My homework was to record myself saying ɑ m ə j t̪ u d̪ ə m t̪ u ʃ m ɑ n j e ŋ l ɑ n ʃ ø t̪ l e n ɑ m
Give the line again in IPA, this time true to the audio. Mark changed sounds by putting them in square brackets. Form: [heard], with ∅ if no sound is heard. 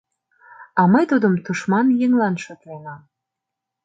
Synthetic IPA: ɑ m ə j t̪ u d̪ ə m t̪ u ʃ m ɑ n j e ŋ l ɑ n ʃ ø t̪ l e n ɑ m